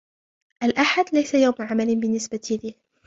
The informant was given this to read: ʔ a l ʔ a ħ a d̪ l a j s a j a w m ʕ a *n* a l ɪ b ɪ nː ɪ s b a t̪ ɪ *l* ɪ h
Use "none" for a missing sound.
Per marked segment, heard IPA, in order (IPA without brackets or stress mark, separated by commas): m, l